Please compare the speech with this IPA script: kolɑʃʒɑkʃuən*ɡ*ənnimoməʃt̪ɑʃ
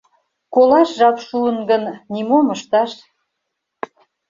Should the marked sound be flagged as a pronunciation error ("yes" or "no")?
no